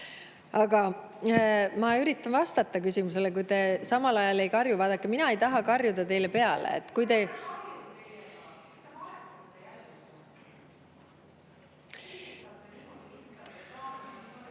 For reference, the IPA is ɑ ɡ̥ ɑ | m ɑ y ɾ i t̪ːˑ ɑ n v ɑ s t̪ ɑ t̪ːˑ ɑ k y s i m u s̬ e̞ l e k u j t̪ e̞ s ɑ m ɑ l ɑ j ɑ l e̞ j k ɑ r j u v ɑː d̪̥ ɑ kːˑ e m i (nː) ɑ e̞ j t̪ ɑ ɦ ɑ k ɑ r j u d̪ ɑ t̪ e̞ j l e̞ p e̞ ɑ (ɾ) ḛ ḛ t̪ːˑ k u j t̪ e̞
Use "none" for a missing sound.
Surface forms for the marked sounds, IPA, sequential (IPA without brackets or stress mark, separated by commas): n, l